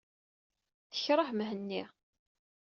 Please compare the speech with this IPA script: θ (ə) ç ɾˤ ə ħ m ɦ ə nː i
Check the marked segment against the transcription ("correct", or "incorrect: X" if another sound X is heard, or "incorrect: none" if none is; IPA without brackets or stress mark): correct